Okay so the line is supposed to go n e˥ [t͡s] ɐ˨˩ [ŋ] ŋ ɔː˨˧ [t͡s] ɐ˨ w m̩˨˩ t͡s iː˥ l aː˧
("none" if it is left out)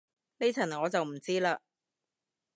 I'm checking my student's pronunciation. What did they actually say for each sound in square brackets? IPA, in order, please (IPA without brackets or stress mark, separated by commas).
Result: t͡sʰ, n, t͡s